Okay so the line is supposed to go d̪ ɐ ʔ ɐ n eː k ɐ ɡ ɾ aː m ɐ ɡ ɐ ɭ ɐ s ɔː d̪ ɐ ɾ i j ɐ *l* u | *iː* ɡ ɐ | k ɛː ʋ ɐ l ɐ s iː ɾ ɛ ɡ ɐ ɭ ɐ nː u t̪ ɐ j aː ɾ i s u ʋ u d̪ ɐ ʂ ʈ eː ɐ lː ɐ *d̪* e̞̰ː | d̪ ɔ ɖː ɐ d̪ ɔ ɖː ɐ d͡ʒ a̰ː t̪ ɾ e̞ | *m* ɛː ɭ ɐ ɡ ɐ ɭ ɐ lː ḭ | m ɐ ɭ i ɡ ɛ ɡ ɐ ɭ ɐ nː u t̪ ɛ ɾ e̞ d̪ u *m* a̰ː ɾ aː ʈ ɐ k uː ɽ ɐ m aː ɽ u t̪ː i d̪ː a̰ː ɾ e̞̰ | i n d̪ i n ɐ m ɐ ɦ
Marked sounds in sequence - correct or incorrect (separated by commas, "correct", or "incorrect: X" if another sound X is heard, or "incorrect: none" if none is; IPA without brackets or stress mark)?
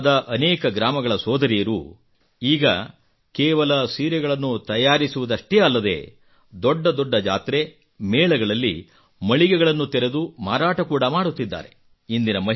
incorrect: ɾ, correct, correct, correct, correct